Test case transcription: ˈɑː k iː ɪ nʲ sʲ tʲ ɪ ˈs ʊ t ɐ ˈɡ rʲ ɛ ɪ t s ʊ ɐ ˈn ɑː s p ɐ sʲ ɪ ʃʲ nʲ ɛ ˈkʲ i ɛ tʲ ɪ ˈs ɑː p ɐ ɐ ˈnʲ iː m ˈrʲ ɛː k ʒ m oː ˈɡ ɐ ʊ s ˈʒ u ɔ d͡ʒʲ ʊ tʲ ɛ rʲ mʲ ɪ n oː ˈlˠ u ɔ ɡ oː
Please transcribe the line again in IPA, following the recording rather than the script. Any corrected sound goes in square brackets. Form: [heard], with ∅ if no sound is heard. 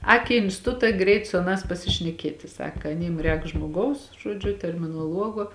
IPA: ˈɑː k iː ɪ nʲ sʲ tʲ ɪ [ˈt] ʊ t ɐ ˈɡ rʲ ɛ ɪ t s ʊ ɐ ˈn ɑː s p ɐ sʲ ɪ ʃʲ nʲ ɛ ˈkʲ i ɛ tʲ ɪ ˈs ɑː [k] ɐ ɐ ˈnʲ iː m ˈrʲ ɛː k ʒ m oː ˈɡ ɐ ʊ s ˈʒ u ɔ d͡ʒʲ ʊ tʲ ɛ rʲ mʲ ɪ n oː ˈlˠ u ɔ ɡ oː